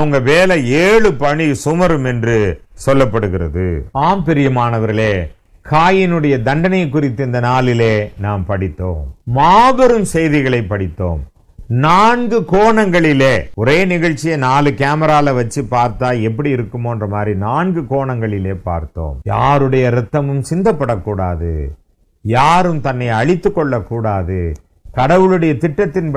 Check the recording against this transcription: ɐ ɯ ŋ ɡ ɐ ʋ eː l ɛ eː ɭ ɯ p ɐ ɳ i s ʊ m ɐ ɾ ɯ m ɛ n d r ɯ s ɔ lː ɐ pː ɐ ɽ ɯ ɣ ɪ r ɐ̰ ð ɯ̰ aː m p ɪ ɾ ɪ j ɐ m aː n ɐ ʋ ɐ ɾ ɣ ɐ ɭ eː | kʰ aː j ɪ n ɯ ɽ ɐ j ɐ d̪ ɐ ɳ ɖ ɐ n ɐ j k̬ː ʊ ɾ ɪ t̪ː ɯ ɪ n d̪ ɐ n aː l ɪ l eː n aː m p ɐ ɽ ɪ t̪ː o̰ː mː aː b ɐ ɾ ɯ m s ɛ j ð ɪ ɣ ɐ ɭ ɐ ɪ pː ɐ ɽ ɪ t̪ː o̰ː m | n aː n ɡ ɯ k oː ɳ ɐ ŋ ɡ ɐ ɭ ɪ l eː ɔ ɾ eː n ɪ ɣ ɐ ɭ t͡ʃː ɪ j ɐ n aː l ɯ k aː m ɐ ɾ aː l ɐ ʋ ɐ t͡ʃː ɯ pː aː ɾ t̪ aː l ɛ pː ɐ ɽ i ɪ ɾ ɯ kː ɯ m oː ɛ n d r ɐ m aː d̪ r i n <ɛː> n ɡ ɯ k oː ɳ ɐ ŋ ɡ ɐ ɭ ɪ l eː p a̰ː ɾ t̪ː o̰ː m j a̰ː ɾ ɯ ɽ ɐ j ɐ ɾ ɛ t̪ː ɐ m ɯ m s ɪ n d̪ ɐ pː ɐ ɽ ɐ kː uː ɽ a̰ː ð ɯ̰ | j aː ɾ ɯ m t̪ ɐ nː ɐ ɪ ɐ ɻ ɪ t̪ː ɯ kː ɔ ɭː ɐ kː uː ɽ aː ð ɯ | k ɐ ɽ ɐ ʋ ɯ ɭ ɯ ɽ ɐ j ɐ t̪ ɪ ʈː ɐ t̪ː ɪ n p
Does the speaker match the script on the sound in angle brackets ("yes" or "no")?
no